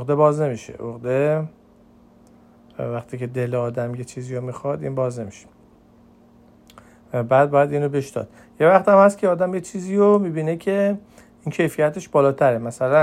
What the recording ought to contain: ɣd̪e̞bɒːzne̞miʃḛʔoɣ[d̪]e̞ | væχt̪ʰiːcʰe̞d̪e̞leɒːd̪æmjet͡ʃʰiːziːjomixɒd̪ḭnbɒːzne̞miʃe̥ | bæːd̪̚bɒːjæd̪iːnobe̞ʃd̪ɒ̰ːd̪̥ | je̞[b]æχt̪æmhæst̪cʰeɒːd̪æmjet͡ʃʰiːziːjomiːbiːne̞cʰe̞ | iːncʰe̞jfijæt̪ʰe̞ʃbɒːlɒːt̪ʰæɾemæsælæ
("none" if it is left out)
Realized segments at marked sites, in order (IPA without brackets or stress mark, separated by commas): d̪, v